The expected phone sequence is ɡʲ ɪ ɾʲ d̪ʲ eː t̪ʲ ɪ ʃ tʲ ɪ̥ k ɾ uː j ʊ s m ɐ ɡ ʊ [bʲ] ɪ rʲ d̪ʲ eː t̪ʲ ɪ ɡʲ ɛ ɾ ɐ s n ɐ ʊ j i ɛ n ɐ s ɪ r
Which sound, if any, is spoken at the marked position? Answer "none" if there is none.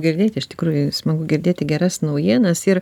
ɡʲ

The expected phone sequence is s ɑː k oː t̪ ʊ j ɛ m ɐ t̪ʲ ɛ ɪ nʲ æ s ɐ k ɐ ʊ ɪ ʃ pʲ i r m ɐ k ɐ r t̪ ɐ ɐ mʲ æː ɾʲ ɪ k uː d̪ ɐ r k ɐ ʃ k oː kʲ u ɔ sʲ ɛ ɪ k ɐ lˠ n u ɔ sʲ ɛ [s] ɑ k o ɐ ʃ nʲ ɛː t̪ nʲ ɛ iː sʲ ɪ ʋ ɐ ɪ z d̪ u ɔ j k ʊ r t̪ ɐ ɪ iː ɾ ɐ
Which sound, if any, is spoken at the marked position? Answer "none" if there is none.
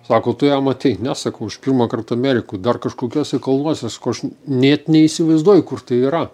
s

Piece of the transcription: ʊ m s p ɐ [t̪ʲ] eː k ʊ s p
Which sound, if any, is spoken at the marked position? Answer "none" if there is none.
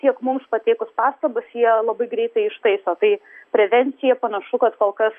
t̪ʲ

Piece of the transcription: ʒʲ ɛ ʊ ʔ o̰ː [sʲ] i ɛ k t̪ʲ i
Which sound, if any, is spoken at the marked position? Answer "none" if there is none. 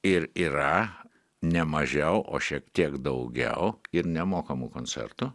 ʃʲ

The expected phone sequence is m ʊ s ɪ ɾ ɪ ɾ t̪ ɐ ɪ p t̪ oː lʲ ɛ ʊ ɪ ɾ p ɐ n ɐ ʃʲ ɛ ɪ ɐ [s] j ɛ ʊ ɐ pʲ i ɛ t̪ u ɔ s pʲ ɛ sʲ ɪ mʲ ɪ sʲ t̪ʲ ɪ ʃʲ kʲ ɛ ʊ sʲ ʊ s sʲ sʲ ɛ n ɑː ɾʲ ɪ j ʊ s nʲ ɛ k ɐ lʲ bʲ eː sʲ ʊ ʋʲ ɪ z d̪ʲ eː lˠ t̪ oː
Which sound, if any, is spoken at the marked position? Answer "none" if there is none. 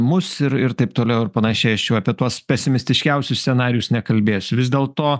ʃ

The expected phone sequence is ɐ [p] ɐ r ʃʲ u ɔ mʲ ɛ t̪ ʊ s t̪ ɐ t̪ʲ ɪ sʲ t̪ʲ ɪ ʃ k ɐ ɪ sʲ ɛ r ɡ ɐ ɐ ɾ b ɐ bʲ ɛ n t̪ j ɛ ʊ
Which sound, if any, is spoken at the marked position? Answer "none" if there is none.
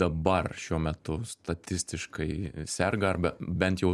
b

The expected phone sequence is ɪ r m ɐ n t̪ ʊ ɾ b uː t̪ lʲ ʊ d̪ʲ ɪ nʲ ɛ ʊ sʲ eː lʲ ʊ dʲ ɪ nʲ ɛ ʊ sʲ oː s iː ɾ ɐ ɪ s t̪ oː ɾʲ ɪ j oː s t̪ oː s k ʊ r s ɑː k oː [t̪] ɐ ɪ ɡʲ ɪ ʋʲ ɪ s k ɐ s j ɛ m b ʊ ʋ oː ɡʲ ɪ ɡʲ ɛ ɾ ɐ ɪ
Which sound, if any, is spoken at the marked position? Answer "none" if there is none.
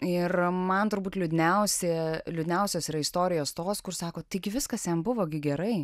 t̪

